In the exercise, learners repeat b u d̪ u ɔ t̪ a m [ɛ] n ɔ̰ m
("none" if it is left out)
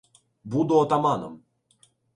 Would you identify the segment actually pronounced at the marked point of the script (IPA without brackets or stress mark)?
a